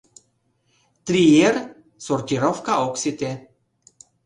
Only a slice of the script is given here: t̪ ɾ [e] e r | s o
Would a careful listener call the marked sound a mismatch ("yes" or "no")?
yes